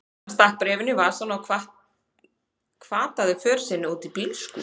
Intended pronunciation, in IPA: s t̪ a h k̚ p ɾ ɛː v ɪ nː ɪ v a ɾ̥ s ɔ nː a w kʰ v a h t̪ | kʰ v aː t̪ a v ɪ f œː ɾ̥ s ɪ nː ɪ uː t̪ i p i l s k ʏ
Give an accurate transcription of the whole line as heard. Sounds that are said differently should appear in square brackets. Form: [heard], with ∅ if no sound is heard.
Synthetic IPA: s t̪ a h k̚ p ɾ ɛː v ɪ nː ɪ v a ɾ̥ s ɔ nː a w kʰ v a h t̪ | kʰ v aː t̪ a [ð] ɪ f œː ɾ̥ s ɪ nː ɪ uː t̪ i p i l s k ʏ